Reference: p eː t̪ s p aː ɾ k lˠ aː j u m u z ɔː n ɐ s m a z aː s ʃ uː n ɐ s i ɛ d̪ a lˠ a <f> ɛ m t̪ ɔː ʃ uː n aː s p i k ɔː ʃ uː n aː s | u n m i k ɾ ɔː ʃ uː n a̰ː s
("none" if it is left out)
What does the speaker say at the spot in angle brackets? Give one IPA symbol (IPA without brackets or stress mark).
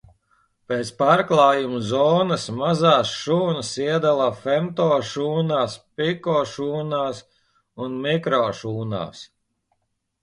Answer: f